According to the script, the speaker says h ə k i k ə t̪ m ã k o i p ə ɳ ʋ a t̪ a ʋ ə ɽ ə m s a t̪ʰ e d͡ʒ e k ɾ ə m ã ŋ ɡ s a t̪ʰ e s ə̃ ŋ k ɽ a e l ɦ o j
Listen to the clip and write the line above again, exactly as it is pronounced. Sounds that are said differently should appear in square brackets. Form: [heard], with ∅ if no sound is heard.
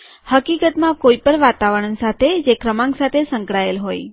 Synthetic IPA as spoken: h ə k i k ə t̪ m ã k o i p ə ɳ ʋ a t̪ a ʋ ə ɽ ə [n] s a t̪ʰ e d͡ʒ e k ɾ ə m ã ŋ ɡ s a t̪ʰ e s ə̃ ŋ k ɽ a e l ɦ o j

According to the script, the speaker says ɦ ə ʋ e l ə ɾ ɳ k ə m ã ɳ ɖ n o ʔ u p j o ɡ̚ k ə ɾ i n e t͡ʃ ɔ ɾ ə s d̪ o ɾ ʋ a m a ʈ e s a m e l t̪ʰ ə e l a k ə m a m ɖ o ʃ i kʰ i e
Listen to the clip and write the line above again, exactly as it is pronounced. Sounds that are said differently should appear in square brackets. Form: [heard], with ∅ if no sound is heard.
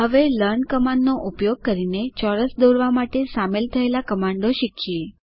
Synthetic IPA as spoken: ɦ ə ʋ e l ə ɾ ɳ k ə m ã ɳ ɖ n o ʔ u p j o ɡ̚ k ə ɾ i n e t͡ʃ ɔ ɾ ə s d̪ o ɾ ʋ a m a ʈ e s a m e l t̪ʰ ə e l a k ə m a [ɳ] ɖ o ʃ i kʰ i e

